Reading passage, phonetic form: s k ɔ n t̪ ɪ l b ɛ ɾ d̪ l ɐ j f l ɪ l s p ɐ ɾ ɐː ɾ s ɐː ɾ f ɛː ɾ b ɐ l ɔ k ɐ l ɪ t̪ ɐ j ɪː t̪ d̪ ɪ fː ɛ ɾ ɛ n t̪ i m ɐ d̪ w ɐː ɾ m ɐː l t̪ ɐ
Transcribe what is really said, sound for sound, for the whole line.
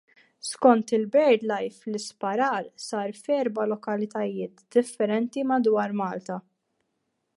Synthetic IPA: s k ɔ n t̪ ɪ l b ɛ ɾ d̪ l ɐ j f l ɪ s p ɐ ɾ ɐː ɾ s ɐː ɾ f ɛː ɾ b ɐ l ɔ k ɐ l ɪ t̪ ɐ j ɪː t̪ d̪ ɪ fː ɛ ɾ ɛ n t̪ i m ɐ d̪ w ɐː ɾ m ɐː l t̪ ɐ